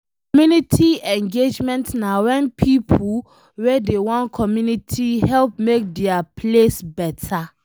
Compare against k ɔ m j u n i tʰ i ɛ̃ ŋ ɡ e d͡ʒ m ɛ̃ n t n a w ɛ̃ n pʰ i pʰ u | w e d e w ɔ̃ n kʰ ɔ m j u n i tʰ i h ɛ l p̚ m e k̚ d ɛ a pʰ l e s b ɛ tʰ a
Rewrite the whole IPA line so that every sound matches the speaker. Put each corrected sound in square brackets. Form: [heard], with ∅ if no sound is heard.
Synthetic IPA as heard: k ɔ m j u n i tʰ i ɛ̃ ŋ ɡ e d͡ʒ m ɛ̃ n t n a w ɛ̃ n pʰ i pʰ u | w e d e w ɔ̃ n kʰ ɔ m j u n i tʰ i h ɛ l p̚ m e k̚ d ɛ a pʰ l e s b ɛ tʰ a